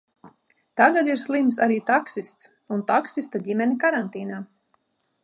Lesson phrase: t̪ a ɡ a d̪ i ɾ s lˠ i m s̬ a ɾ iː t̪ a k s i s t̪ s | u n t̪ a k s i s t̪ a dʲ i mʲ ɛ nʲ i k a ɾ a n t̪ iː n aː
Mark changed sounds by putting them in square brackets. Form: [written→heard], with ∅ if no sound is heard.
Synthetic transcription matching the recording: t̪ a ɡ a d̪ i ɾ s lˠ i m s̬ a ɾ iː t̪ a k s i s t̪ s | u n t̪ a k s i s t̪ a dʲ i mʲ ɛ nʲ i k a ɾ a n t̪ iː n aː